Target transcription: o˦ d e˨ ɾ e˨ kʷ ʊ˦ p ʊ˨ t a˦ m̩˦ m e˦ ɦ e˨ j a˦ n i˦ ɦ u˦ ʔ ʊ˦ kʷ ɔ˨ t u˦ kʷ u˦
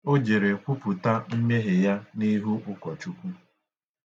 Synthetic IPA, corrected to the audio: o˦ d͡ʒ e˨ ɾ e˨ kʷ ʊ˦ p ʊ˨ t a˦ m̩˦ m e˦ ɦ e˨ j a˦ n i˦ ɦ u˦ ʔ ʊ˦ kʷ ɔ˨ t͡ʃ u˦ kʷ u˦